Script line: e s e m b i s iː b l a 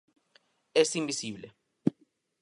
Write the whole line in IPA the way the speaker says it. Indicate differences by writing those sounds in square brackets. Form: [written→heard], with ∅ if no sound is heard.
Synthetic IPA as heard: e s [e→i] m b i s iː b l [a→ɛ]

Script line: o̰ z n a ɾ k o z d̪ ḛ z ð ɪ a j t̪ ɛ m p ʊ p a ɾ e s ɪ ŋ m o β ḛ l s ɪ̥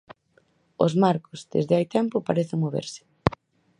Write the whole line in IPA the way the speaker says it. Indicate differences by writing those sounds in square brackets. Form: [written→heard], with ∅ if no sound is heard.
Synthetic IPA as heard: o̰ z [n→m] a ɾ k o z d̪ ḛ z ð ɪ a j t̪ ɛ m p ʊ p a ɾ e [s→θ] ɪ ŋ m o β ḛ [l→ɾ] s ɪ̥

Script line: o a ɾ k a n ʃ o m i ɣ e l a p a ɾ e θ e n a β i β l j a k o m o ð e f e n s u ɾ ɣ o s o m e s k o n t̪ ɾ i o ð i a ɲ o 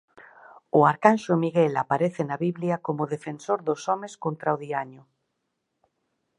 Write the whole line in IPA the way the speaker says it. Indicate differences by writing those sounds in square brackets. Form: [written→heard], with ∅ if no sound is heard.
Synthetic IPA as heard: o a ɾ k a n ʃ o m i ɣ e l a p a ɾ e θ e n a β i β l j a k o m o ð e f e n s [u→o] ɾ [ɣ→ð] o s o m e s k o n t̪ ɾ [i→a] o ð i a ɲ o

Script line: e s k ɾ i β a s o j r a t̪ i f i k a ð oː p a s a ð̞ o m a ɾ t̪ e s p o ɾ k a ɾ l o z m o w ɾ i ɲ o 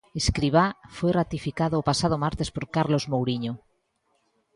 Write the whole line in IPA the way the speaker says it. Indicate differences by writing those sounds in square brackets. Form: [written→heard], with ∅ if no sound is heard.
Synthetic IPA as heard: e s k ɾ i β a [s→f] o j r a t̪ i f i k a ð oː p a s a ð̞ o m a ɾ t̪ e s p o ɾ k a ɾ l o z m o w ɾ i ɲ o

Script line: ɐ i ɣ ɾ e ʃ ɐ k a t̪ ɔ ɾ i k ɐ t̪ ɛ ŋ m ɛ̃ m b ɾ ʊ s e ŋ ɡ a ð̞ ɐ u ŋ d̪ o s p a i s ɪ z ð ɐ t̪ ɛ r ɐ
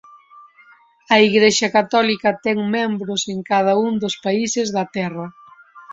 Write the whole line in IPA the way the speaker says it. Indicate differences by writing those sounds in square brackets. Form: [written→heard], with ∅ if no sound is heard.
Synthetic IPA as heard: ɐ i ɣ ɾ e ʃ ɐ k a t̪ ɔ [ɾ→l] i k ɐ t̪ ɛ ŋ m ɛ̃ m b ɾ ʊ s e ŋ [ɡ→k] a ð̞ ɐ u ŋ d̪ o s p a i s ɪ z ð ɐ t̪ ɛ r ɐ

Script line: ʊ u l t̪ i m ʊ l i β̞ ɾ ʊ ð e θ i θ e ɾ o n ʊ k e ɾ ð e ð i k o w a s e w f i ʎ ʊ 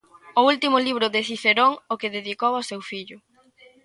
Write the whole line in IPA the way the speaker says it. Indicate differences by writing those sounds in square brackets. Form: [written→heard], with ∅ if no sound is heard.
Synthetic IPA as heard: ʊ u l t̪ i m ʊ l i β̞ ɾ ʊ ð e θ i θ e ɾ o [n→ŋ] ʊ k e [ɾ→∅] ð e ð i k o w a s e w f i ʎ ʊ

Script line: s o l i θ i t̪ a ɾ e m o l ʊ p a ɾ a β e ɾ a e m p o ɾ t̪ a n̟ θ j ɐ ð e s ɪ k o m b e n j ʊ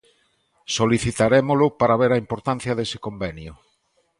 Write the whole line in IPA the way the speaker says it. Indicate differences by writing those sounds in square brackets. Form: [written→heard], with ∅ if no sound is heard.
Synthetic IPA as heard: s o l i θ i t̪ a ɾ e m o l ʊ p a ɾ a β e ɾ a [e→i] m p o ɾ t̪ a n̟ θ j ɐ ð e s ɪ k o m b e n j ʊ

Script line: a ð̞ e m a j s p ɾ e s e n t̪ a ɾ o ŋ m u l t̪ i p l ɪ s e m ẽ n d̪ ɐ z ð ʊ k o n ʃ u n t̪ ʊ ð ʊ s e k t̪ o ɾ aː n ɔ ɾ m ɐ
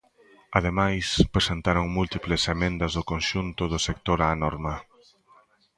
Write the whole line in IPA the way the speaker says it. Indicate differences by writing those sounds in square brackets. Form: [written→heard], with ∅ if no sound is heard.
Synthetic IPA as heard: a ð̞ e m a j s p ɾ e s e n t̪ a ɾ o ŋ m u l t̪ i p l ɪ s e m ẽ n d̪ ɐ z ð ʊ k o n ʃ u n t̪ ʊ ð ʊ s e k t̪ o ɾ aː n ɔ ɾ m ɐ

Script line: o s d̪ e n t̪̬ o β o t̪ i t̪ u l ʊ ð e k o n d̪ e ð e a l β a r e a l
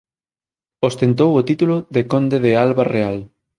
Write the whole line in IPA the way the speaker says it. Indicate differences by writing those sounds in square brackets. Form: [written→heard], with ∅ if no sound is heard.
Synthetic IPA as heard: o s [d̪→t̪] e n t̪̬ o [β→w] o t̪ i t̪ u l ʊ ð e k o n d̪ e ð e a l β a r e a l

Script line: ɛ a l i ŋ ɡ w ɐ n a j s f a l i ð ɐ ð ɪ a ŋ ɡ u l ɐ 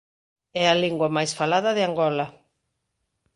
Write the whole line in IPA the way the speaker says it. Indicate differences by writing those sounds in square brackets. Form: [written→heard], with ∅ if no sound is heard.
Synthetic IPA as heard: ɛ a l i ŋ ɡ w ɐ [n→m] a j s f a l [i→a] ð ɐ ð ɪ a ŋ ɡ [u→ɔ] l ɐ

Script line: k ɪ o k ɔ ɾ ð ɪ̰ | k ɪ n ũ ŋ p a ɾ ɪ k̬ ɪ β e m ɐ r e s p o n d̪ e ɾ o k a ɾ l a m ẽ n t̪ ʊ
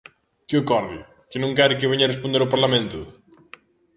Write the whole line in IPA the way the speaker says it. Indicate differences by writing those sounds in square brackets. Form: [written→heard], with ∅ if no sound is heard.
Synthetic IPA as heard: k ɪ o k ɔ ɾ ð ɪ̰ | k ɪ n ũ ŋ [p→k] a ɾ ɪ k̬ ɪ β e [m→ɲ] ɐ r e s p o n d̪ e ɾ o [k→p] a ɾ l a m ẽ n t̪ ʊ

